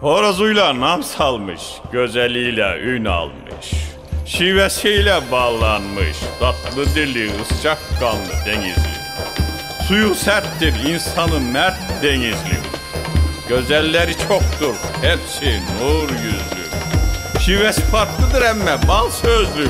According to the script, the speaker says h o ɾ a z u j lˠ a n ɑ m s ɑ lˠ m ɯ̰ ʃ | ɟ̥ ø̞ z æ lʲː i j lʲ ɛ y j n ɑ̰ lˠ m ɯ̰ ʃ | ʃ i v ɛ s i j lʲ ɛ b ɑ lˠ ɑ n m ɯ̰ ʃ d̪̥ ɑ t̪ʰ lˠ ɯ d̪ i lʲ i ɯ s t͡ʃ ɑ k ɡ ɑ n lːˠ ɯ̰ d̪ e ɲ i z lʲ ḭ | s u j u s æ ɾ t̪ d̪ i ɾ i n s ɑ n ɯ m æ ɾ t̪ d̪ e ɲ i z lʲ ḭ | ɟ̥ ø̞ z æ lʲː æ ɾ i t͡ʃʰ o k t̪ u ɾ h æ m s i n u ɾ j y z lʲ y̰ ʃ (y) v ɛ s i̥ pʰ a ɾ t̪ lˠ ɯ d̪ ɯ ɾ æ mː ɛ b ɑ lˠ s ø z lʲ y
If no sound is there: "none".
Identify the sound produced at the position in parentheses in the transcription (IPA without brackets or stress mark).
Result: i